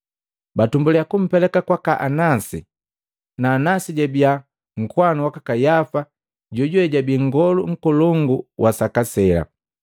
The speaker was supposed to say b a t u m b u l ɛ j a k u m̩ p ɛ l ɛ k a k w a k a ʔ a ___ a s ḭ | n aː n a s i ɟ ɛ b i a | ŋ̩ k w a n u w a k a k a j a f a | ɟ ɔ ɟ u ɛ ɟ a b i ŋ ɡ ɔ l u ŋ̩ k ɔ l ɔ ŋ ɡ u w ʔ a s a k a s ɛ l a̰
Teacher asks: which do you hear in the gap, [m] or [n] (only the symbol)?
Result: n